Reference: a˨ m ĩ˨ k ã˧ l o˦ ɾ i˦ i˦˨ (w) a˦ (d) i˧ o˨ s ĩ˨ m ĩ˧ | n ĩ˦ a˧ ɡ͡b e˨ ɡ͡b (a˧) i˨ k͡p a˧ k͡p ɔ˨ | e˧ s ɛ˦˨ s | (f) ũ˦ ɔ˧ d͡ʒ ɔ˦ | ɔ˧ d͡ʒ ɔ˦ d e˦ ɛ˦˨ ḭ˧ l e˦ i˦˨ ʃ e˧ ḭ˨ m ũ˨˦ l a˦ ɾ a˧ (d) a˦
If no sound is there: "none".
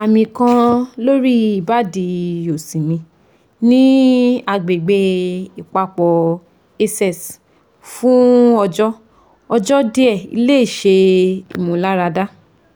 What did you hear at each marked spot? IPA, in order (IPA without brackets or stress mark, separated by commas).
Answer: b, d, e˧, f, d